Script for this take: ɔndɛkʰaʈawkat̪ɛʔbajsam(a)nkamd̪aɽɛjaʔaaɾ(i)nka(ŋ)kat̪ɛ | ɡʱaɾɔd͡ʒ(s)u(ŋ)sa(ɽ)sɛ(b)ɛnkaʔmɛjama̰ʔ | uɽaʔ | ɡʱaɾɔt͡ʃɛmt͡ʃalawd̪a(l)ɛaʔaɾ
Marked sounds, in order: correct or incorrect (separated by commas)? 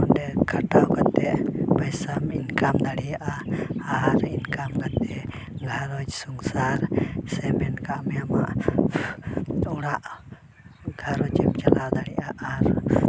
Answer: incorrect, correct, incorrect, correct, correct, incorrect, incorrect, incorrect